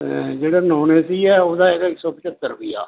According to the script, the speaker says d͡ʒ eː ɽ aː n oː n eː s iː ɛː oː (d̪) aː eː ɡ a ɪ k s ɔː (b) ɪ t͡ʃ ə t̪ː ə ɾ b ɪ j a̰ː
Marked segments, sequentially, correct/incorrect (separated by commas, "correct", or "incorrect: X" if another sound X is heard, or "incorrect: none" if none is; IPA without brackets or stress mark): correct, incorrect: p